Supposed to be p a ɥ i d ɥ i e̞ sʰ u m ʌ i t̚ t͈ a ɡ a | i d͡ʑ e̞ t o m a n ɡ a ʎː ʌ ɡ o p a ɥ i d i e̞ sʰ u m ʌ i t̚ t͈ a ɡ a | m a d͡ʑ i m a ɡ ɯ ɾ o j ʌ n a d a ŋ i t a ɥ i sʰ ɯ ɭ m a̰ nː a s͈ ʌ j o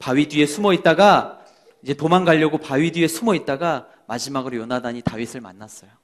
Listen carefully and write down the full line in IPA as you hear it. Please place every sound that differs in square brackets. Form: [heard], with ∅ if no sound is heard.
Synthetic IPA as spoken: p a ɥ i d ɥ i e̞ sʰ u m ʌ i t̚ t͈ a ɡ a | i d͡ʑ e̞ t o m a n ɡ a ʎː ʌ ɡ o p a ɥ i d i e̞ sʰ u m ʌ i t̚ t͈ a ɡ a | m a d͡ʑ i m a ɡ ɯ ɾ o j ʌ n a d a [ɲ] i t a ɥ i sʰ ɯ ɭ m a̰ nː a s͈ ʌ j o